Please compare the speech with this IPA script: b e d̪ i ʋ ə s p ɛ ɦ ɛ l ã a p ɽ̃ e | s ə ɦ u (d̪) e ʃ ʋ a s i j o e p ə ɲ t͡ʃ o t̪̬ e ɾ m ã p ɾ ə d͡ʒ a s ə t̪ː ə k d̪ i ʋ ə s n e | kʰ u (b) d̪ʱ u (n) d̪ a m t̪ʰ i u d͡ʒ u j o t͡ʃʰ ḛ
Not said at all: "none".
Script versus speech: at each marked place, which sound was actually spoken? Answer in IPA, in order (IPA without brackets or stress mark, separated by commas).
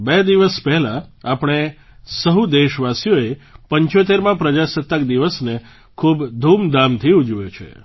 d̪, b, m